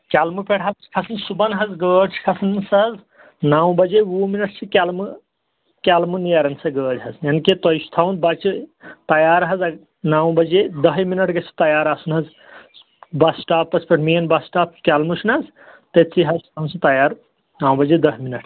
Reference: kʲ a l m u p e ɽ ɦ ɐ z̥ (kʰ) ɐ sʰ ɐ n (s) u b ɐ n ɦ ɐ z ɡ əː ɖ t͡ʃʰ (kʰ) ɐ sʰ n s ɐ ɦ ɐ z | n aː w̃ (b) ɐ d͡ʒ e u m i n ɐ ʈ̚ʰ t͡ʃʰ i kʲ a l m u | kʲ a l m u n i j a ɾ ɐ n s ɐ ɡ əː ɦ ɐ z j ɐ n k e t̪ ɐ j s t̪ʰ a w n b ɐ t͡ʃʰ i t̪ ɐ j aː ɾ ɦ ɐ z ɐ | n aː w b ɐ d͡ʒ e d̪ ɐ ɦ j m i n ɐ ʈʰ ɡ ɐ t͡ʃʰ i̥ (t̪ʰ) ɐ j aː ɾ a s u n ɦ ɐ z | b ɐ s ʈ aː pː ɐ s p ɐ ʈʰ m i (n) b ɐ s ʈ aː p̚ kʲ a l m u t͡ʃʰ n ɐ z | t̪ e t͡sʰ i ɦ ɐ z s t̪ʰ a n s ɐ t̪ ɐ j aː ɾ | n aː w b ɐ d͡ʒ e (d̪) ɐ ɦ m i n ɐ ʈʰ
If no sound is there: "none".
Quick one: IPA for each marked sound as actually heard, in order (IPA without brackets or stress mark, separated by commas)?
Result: kʰ, s, kʰ, b, t̪, n, d̪